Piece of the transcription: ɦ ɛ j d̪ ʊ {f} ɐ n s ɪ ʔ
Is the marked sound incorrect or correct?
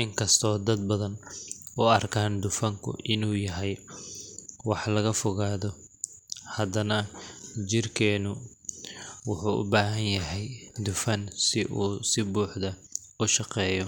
correct